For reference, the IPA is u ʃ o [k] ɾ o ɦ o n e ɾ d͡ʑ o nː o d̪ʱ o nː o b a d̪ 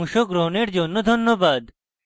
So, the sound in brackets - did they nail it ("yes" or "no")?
no